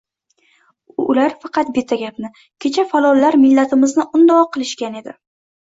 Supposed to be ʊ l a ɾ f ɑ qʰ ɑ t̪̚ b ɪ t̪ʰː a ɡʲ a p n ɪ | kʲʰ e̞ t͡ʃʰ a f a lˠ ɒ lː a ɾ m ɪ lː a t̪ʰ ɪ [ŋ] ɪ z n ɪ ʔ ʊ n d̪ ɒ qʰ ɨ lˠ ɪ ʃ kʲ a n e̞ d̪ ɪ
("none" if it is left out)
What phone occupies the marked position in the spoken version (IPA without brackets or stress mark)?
m